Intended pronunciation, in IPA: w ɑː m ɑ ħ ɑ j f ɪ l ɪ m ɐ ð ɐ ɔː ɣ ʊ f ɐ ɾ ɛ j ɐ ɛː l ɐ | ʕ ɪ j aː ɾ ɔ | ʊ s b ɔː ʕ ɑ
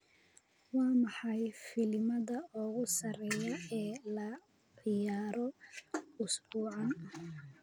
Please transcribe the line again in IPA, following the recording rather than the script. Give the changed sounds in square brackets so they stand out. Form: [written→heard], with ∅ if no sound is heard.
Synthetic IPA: w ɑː m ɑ ħ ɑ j f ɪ l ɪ m ɐ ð ɐ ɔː ɣ ʊ [f→s] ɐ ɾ ɛ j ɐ ɛː l ɐ | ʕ ɪ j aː ɾ ɔ | ʊ s b [ɔː→uː] ʕ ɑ